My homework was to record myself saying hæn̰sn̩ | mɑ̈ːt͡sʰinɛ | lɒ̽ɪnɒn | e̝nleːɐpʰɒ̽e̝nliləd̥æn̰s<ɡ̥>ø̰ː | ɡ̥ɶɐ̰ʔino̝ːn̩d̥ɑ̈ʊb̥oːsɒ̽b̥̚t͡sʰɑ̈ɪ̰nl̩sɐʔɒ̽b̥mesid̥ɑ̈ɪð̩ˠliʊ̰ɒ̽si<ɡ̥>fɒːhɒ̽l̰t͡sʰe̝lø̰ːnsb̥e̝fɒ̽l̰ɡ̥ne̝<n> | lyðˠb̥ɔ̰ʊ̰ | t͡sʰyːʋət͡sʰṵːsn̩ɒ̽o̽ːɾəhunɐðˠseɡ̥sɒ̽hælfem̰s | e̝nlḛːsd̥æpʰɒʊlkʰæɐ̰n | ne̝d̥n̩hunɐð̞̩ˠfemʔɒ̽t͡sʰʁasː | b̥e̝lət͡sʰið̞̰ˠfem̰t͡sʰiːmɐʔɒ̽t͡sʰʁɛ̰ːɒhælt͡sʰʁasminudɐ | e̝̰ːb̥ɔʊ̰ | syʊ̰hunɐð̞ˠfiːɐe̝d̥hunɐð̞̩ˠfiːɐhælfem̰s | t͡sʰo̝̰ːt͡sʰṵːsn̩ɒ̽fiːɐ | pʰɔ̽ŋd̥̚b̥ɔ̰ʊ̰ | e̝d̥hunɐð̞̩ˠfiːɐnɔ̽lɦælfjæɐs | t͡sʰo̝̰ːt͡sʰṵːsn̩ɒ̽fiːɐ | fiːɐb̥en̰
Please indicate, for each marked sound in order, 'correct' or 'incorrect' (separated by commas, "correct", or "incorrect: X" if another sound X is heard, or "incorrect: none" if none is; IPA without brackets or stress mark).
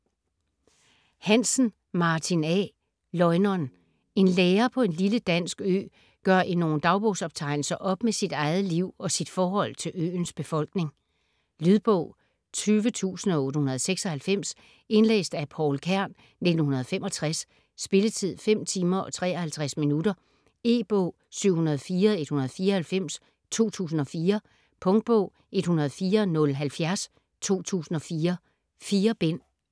correct, incorrect: d̥, incorrect: ŋ